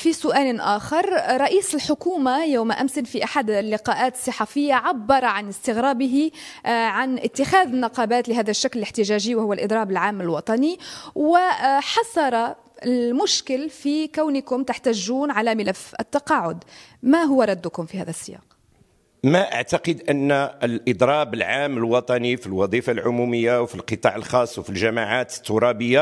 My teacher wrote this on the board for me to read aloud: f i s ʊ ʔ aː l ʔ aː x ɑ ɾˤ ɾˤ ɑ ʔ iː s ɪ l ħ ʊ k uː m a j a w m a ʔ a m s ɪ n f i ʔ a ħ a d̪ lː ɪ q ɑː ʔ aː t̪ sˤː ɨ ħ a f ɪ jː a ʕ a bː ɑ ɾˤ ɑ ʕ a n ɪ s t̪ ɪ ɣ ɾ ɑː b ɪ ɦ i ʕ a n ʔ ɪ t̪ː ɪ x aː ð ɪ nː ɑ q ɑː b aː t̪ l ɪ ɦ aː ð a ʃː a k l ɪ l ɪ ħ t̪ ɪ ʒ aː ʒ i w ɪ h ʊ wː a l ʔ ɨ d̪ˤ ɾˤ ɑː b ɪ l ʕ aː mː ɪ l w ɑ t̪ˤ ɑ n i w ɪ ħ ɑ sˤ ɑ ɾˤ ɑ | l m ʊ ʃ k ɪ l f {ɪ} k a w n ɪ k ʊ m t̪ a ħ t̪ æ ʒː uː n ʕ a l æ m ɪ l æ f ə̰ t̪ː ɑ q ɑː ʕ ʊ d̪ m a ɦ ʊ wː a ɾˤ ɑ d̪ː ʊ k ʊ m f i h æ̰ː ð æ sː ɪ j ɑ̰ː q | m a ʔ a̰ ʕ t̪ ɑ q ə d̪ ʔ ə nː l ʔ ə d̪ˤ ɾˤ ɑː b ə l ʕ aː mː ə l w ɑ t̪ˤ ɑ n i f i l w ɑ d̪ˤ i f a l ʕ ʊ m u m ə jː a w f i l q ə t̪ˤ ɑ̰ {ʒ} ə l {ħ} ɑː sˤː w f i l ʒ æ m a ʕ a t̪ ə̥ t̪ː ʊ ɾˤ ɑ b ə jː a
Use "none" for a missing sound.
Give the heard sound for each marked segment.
i, ʕ, x

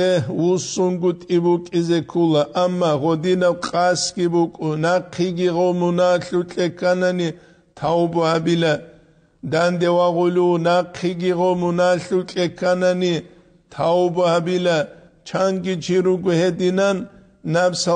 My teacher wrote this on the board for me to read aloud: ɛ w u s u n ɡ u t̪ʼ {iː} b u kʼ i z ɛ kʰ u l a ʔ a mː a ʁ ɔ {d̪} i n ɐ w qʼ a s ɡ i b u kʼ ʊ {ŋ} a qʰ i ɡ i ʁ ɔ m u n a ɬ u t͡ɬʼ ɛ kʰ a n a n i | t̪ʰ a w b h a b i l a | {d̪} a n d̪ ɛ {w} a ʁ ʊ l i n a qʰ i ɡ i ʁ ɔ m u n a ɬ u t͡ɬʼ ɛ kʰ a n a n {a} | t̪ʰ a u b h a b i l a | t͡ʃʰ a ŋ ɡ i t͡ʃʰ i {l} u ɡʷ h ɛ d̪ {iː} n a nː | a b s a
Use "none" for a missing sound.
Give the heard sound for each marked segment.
i, d̪, n, d̪, w, i, ɾ, i

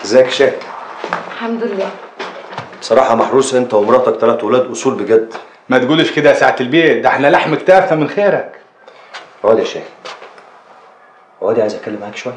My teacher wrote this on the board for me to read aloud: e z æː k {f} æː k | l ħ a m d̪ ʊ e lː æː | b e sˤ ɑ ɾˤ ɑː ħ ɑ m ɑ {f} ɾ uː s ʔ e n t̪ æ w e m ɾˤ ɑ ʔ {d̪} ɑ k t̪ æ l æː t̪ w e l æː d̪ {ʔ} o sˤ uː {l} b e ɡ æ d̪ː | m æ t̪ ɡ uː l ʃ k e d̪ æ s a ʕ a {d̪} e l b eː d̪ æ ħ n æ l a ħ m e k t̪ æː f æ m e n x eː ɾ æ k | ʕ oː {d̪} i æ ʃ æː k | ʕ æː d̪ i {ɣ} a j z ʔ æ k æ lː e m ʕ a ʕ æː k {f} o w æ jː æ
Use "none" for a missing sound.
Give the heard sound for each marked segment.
ʃ, ħ, t̪, ʔ, l, t̪, d̪, ʕ, ʃ

